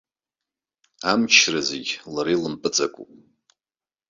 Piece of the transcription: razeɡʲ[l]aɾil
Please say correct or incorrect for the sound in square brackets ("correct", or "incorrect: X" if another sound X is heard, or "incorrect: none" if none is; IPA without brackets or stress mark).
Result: correct